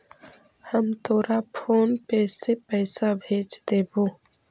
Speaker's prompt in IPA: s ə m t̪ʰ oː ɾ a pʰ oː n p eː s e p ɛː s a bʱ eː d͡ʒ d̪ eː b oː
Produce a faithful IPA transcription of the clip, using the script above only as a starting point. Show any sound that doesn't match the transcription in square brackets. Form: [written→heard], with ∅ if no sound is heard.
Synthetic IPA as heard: [s→h] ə m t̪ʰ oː ɾ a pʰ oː n p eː s e p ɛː s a bʱ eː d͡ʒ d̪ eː b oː